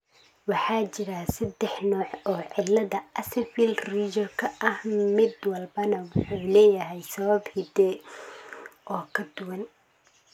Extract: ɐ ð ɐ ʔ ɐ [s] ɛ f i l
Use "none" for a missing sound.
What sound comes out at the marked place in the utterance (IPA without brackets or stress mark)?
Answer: s